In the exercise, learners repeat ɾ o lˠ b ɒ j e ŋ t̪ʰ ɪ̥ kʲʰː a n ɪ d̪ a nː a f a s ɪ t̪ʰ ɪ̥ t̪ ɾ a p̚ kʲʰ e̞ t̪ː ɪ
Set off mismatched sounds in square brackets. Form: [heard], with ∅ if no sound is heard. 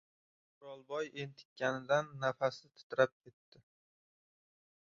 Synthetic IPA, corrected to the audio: ɾ [ɒ] lˠ b ɒ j e [n] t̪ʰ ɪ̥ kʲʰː a n ɪ d̪ a nː a f a s ɪ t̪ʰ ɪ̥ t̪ ɾ a p̚ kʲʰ e̞ t̪ː ɪ